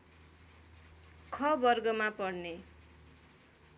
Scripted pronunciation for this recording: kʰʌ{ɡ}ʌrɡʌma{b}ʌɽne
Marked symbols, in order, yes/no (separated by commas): no, no